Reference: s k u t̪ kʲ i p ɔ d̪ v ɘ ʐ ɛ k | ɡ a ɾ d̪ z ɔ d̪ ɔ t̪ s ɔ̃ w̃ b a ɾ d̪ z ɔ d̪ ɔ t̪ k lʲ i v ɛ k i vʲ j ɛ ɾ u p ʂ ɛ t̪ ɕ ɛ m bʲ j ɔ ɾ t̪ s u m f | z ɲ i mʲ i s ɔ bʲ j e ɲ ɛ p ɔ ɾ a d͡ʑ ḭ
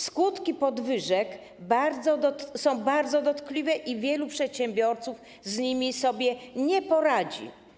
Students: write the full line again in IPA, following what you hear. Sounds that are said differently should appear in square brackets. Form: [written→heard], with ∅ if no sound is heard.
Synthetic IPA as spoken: s k u t̪ kʲ i p ɔ d̪ v ɘ ʐ ɛ k | [ɡ→b] a ɾ d̪ z ɔ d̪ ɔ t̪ s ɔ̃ w̃ b a ɾ d̪ z ɔ d̪ ɔ t̪ k lʲ i v ɛ [k→ʔ] i vʲ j ɛ [ɾ→l] u p ʂ ɛ t̪ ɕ ɛ m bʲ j ɔ ɾ t̪ s u [m→∅] f | z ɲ i mʲ i s ɔ bʲ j [e→ɛ] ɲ ɛ p ɔ ɾ a d͡ʑ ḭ